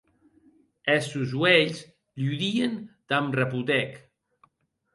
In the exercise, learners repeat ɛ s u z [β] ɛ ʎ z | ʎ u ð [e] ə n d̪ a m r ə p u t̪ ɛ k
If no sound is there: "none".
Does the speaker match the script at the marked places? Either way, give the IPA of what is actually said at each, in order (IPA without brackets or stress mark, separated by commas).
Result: w, i